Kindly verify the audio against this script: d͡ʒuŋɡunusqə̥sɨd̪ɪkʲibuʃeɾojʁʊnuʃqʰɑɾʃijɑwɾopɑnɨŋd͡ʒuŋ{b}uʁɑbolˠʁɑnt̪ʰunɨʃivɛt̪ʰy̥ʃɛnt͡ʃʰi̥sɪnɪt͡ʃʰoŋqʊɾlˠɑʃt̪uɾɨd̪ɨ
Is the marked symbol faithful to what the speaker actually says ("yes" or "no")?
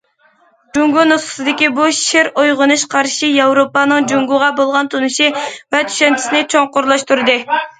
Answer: no